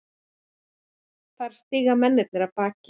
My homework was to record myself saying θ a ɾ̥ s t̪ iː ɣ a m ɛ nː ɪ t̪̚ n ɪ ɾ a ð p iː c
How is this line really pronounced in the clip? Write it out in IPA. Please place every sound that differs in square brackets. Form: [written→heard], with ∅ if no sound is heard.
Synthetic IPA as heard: θ a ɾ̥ s t̪ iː ɣ a m ɛ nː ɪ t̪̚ n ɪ ɾ a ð p [iː→aː] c